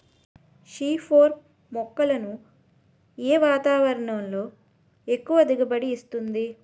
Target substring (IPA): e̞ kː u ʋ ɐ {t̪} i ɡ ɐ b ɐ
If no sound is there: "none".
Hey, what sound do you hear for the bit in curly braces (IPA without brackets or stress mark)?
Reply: d̪